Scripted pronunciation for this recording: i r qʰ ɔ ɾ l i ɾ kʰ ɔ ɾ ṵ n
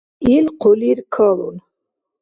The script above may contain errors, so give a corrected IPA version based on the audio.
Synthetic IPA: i l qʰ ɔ l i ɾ kʰ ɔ l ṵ n